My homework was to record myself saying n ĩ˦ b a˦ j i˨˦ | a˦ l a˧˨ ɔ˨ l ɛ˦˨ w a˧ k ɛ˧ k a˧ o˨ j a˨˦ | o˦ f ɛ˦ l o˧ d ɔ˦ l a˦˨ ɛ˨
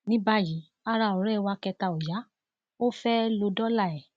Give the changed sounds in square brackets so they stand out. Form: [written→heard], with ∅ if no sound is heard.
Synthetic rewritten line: n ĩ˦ b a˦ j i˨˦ | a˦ [l→ɾ] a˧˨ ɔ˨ [l→ɾ] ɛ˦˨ w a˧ k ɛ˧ [k→t] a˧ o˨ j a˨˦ | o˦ f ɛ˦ l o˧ d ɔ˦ l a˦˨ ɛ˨